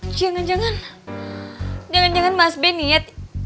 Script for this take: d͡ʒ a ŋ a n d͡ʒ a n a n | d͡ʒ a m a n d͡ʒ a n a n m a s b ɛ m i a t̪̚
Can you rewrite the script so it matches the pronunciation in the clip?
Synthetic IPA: d͡ʒ a ŋ a n d͡ʒ a ŋ a n | d͡ʒ a ŋ a n d͡ʒ a ŋ a n m a s b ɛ n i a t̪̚